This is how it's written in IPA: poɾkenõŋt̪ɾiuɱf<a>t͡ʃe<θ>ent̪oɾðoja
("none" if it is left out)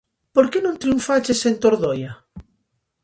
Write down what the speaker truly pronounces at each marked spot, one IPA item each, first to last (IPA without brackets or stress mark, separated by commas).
a, s